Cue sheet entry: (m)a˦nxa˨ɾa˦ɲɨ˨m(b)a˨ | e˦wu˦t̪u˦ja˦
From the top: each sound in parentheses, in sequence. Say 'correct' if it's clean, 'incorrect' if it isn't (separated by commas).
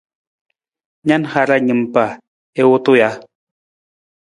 incorrect, incorrect